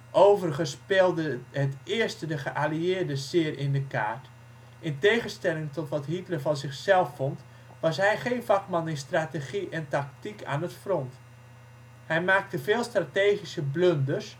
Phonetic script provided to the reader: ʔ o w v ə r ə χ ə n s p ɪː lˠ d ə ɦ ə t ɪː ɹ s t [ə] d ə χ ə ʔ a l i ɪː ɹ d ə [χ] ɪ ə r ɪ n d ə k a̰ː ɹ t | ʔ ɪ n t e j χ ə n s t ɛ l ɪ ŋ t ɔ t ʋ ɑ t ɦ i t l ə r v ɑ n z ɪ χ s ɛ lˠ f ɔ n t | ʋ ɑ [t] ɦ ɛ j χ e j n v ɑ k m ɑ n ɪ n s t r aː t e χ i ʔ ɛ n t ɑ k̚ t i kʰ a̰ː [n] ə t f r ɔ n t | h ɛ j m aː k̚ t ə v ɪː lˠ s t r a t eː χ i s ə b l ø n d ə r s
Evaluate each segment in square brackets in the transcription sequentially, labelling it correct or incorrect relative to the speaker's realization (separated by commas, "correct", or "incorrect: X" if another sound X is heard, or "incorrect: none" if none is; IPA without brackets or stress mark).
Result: correct, incorrect: s, incorrect: s, correct